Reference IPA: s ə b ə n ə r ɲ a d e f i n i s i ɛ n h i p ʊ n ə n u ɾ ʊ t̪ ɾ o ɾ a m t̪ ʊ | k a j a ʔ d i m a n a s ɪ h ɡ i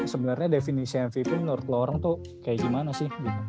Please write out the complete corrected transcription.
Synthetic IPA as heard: s ə b ə n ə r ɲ a d e f i n i s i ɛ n f i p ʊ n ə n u ɾ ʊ t̪ l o ɾ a ŋ t̪ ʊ | k a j a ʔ ɡ i m a n a s ɪ h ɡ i